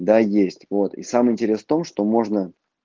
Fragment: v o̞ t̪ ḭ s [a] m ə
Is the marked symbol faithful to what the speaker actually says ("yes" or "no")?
yes